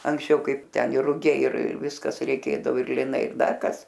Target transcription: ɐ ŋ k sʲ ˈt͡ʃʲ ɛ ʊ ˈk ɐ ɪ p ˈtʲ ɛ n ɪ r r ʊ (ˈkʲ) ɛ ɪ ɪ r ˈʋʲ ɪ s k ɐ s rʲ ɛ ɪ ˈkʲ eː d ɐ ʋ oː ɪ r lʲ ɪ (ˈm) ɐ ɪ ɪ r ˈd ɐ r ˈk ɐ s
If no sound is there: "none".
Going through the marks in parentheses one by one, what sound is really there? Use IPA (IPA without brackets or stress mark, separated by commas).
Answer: ɡʲ, n